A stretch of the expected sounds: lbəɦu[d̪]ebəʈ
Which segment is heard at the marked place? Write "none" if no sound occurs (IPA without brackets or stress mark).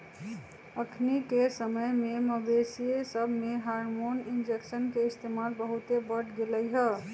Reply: t̪